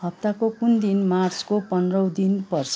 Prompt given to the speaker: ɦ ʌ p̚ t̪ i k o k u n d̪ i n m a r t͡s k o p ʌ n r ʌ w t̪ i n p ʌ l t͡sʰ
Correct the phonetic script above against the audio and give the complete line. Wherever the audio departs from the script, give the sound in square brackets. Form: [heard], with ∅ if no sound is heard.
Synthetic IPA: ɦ ʌ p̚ t̪ [a] k o k u n d̪ i n m a r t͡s k o p ʌ n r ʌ w [d̪] i n p ʌ [r] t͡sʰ